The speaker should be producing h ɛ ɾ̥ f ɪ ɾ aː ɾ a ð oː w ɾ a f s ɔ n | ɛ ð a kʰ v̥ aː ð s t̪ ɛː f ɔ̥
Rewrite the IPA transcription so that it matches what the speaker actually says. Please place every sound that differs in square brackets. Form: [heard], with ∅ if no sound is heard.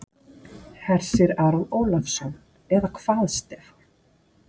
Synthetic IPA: h ɛ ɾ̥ [s] ɪ ɾ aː ɾ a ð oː w [l] a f s ɔ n | ɛ ð a kʰ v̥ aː ð s t̪ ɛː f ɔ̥